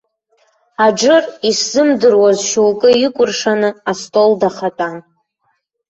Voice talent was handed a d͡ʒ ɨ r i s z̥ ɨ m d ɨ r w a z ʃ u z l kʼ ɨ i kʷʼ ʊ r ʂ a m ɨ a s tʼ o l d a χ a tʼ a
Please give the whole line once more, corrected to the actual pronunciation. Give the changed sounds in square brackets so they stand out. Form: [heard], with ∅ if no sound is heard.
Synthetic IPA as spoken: a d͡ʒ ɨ r i s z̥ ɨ m d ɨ r w a z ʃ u [∅] l kʼ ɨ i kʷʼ ʊ r ʂ a [n] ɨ a s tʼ o l d a χ a tʼ a

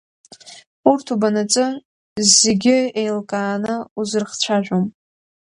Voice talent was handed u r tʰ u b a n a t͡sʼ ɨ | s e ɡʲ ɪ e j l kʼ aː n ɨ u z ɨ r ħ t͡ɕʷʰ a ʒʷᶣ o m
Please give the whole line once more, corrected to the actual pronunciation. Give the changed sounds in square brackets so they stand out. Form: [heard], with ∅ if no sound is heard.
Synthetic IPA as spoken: u r tʰ u b a n a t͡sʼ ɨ | [z] e ɡʲ ɪ e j l kʼ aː n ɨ u z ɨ r [χ] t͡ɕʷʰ a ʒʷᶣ o m

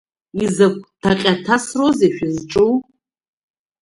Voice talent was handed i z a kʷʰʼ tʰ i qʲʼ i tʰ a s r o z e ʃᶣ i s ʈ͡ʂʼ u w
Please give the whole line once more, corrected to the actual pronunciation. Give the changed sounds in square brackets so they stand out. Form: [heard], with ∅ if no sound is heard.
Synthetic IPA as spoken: i z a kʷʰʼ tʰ [a] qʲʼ [a] tʰ a s r o z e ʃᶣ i [z] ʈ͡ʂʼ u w

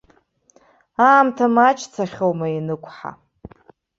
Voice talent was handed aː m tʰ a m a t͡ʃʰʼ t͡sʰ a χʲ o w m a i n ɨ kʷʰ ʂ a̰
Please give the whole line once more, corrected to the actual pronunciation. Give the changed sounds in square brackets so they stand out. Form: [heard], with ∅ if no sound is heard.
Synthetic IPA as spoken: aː m tʰ a m a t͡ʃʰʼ t͡sʰ a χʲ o w m a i n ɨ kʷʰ [ħ] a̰

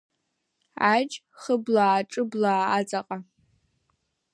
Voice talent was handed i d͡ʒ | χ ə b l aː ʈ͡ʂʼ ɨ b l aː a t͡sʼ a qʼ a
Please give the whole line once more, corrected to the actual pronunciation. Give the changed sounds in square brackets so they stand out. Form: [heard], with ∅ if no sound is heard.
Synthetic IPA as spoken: [a] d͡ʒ | χ ə b l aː ʈ͡ʂʼ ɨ b l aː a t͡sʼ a qʼ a

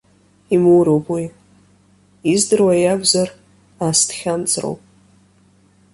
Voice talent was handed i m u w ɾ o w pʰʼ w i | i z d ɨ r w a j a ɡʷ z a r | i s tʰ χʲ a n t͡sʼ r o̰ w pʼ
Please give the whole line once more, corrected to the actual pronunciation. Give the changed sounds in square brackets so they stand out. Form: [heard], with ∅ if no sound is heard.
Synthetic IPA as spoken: i m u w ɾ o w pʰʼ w i | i z d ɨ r w a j a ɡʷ z a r | [a] s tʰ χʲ a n t͡sʼ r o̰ w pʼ

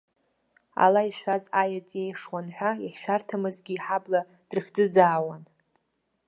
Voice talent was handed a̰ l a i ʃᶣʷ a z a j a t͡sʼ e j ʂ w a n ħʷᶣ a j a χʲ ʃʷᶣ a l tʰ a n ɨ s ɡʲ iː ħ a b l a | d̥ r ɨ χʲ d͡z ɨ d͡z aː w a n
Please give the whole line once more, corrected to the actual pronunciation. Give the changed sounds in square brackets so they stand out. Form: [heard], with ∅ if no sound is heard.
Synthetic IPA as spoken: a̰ l a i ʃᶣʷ a z a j a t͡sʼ e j ʂ w a n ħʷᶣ a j a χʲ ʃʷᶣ a [r] tʰ a [m] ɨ [z] ɡʲ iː ħ a b l a | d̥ r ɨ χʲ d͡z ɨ d͡z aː w a n

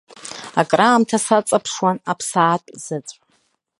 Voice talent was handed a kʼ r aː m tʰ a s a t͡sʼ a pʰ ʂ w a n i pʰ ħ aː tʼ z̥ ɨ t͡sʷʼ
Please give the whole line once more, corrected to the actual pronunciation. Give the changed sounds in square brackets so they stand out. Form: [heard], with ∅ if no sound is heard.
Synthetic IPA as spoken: a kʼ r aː m tʰ a s a t͡sʼ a pʰ ʂ w a n [a] pʰ [s] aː tʼ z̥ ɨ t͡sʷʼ

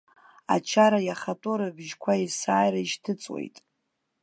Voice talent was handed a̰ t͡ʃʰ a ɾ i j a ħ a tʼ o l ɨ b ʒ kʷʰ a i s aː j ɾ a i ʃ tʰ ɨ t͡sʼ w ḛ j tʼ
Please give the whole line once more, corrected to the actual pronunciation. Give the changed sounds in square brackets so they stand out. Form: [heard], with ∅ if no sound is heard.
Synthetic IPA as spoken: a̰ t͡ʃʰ a ɾ [a] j a [χ] a tʼ o [ɾ] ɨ b ʒ kʷʰ a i s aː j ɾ a i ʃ tʰ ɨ t͡sʼ w ḛ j tʼ

